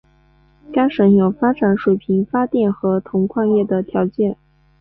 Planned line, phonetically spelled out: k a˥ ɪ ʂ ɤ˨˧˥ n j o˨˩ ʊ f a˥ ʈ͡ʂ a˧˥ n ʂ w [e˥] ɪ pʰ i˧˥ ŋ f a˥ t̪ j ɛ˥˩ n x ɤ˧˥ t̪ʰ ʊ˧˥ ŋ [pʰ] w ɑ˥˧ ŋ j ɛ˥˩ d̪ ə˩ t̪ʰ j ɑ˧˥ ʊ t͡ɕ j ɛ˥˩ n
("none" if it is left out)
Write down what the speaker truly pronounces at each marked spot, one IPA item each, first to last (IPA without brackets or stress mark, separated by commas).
e˨˩, kʰ